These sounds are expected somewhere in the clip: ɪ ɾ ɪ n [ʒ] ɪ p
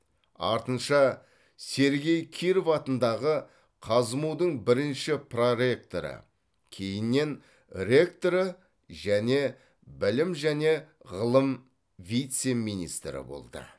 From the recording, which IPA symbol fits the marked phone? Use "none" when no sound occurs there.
ʃ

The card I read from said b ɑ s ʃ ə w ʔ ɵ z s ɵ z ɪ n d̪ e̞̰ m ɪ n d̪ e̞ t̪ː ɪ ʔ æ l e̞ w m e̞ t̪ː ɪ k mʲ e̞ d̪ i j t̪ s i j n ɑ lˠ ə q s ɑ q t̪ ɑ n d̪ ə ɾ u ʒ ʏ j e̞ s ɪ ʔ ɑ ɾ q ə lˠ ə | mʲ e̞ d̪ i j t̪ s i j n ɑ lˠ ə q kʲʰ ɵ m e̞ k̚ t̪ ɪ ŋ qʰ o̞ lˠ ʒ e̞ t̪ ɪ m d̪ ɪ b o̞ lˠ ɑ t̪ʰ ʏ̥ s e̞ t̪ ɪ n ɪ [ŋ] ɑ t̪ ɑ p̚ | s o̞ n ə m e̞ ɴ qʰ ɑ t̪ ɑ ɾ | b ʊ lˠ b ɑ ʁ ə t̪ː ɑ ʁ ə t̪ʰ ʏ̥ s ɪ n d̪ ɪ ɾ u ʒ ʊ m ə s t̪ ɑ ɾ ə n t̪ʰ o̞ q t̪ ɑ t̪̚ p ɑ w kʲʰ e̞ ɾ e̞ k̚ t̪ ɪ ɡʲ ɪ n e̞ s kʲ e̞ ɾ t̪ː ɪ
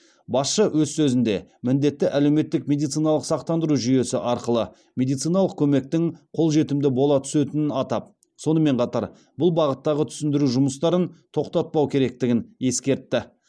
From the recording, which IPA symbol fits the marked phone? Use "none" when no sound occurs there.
n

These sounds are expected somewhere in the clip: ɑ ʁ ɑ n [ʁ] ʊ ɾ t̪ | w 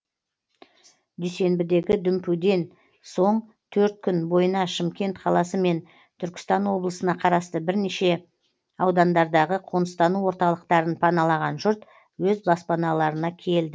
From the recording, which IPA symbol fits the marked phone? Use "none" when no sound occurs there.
ʒ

